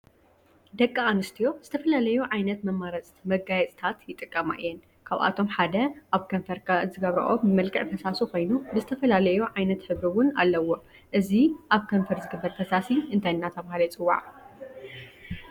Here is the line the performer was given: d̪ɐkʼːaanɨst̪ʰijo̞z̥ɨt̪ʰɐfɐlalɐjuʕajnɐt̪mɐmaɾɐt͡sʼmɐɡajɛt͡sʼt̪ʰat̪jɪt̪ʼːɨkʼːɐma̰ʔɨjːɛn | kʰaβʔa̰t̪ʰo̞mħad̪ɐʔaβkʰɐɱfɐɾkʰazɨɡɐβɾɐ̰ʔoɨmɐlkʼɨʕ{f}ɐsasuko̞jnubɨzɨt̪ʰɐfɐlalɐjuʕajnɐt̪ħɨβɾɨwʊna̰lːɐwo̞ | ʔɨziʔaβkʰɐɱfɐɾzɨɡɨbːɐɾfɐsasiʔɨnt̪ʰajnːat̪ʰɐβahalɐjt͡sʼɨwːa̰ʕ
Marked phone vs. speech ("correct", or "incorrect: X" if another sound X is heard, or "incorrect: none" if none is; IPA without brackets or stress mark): correct